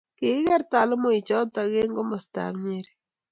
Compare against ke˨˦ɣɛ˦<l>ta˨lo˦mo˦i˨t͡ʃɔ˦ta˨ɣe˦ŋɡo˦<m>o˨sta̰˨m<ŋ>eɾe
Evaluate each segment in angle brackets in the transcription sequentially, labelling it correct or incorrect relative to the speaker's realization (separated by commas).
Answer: incorrect, correct, incorrect